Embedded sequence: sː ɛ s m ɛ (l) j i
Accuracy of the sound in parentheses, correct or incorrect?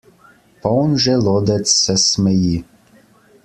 incorrect